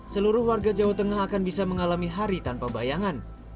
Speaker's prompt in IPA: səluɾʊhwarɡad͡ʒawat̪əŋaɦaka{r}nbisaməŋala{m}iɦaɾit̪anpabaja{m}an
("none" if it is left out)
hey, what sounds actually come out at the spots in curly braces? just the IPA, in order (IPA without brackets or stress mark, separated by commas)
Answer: none, m, ŋ